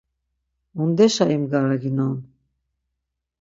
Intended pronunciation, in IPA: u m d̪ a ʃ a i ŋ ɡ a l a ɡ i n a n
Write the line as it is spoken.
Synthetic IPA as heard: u n d̪ ɛ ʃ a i m ɡ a ɾ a ɡ i n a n